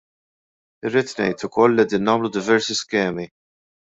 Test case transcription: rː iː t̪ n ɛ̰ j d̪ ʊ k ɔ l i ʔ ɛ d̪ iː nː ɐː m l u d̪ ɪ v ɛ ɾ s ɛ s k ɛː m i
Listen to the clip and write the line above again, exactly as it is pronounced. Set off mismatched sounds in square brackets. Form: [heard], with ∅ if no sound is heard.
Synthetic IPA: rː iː t̪ n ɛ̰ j [t̪] ʊ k ɔ [lː] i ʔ ɛ d̪ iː nː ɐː m l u d̪ ɪ v ɛ ɾ s [i] s k ɛː m i